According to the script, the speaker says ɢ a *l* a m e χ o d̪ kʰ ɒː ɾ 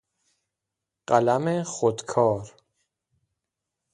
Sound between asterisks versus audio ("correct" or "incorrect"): correct